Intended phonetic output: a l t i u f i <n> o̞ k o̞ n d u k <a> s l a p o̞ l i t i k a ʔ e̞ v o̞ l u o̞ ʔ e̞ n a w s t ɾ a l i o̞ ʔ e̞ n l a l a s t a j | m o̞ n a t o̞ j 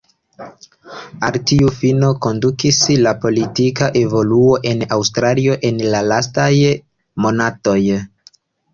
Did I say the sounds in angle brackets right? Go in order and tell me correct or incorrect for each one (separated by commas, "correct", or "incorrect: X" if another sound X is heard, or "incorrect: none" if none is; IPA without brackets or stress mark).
correct, incorrect: i